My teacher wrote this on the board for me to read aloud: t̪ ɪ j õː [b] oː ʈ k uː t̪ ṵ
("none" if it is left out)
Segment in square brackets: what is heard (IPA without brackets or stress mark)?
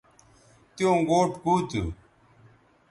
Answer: ɡ